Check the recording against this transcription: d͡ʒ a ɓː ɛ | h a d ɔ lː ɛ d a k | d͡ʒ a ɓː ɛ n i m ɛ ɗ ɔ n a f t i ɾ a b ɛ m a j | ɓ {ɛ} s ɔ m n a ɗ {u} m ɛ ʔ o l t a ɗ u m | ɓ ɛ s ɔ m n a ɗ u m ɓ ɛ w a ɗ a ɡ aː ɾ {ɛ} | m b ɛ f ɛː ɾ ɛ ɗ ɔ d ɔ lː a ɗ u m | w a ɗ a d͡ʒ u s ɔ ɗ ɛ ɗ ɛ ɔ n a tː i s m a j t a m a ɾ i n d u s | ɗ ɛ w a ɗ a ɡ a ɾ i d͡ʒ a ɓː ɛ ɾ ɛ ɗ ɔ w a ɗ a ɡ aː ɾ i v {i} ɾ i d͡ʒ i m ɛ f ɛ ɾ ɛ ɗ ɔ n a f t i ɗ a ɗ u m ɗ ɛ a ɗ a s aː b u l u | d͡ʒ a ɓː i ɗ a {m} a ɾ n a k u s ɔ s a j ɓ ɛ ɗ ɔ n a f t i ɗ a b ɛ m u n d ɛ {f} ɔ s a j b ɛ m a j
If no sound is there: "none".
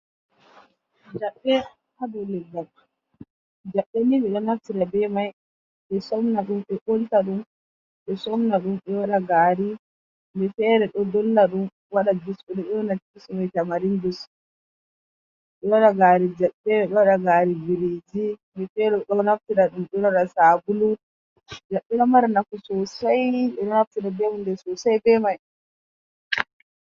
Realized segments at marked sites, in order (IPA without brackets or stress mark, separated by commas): ɛ, u, i, i, m, s